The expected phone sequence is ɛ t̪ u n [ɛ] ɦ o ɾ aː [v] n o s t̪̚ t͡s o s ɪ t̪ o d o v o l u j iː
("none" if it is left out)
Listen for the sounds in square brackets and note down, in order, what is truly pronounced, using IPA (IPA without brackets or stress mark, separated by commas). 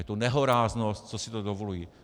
ɛ, z